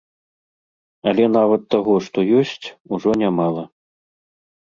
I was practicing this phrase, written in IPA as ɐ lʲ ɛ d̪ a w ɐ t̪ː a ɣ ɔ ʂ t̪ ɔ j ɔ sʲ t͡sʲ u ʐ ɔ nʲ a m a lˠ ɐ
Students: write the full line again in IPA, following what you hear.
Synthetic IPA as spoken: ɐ lʲ ɛ n̪ a v ɐ t̪ː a ɣ ɔ ʂ t̪ ɔ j ɔ sʲ t͡sʲ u ʐ ɔ nʲ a m a lˠ ɐ